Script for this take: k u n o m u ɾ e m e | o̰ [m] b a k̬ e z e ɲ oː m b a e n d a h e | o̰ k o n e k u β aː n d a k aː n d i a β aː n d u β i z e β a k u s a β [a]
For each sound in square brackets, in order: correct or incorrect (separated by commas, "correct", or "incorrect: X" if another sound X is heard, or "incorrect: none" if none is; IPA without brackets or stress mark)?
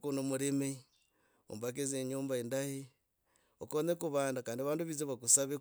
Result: correct, incorrect: e